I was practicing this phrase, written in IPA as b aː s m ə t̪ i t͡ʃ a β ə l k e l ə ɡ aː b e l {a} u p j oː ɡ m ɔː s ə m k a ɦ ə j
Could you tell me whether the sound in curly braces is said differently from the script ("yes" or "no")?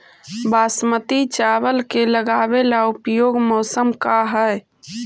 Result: no